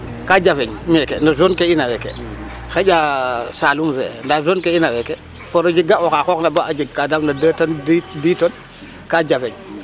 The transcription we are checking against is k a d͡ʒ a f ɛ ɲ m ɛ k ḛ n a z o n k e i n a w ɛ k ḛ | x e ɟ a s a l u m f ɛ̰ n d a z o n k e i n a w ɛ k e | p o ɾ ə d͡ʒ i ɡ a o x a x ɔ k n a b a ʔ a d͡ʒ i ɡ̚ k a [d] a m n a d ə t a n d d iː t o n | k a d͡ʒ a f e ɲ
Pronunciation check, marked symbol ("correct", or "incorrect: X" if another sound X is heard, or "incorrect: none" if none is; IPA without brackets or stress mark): correct